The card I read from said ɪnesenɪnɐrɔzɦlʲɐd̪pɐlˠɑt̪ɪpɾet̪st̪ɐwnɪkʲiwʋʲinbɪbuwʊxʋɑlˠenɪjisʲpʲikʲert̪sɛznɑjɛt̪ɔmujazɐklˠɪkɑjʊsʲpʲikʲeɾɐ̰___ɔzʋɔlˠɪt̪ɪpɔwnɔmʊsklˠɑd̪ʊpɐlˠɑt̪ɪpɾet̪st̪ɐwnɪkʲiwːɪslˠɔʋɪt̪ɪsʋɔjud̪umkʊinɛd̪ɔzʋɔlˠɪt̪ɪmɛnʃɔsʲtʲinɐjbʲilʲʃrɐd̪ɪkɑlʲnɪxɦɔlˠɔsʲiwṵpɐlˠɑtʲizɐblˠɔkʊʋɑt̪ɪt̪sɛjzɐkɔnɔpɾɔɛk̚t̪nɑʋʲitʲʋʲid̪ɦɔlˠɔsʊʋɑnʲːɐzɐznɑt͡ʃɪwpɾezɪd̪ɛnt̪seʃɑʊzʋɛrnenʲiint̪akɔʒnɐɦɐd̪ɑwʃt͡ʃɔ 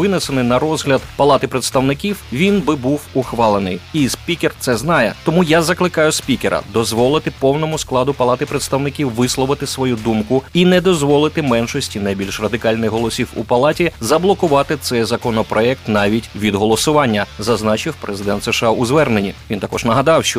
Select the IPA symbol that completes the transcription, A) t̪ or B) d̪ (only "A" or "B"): B